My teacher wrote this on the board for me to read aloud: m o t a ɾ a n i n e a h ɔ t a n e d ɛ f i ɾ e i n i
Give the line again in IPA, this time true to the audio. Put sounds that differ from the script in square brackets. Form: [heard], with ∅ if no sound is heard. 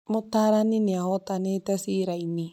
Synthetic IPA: m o t a ɾ a n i n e a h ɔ t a n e [t] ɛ [s] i ɾ [a] i n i

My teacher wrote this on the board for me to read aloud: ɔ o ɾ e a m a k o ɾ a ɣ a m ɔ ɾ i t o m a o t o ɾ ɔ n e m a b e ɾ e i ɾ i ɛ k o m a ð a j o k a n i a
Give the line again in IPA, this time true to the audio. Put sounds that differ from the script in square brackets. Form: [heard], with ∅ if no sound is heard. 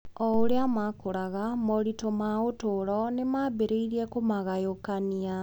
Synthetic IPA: ɔ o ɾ e a m a k o ɾ a ɣ a m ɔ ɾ i t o m a o t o ɾ ɔ n e m a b e ɾ e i ɾ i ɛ k o m a [ɣ] a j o k a n i a

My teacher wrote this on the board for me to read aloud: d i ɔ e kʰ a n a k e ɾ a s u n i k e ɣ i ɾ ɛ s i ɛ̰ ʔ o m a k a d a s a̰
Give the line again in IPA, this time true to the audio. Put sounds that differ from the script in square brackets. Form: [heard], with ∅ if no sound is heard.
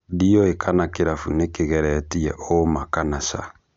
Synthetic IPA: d i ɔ e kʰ a n a k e ɾ a [f] u n [e] k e ɣ [ɛ] ɾ ɛ [t] i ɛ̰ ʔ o m a k a [n] a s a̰

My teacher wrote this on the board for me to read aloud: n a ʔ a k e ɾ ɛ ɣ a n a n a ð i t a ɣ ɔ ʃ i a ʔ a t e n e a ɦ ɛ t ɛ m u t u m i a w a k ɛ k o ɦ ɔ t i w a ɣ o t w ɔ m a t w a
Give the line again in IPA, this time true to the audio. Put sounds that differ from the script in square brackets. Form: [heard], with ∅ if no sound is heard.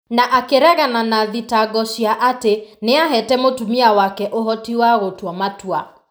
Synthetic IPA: n a ʔ a k e ɾ ɛ ɣ a n a n a ð i t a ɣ ɔ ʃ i a ʔ a t e n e a ɦ ɛ t ɛ m [o] t u m i a w a k ɛ [ʔ] o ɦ ɔ t i w a ɣ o t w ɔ m a t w a

